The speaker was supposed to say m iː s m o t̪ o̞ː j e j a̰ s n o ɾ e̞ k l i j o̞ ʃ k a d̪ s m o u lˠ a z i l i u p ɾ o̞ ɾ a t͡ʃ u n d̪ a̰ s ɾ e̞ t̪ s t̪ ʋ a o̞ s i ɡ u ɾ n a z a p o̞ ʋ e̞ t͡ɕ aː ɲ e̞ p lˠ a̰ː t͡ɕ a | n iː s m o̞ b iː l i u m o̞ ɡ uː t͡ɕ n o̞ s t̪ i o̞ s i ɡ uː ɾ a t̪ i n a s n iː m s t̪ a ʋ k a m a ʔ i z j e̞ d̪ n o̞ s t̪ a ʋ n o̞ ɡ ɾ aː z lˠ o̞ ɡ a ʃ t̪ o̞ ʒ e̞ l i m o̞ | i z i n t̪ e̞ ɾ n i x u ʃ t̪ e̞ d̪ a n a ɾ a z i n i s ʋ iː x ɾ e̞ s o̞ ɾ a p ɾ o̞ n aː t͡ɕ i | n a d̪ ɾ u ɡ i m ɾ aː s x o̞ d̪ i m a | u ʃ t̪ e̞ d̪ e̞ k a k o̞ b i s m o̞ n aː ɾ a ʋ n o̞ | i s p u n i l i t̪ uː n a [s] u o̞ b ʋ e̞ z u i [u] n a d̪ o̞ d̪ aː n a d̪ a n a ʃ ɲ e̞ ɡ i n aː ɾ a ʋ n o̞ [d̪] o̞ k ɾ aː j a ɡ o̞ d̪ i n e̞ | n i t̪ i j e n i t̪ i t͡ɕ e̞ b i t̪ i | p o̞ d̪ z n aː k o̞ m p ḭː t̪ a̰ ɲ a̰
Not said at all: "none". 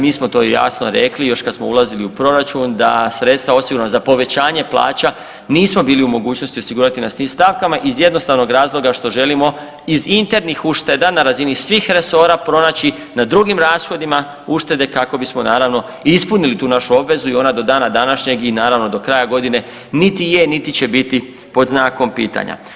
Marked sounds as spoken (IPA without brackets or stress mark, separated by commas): ʃ, o, d̪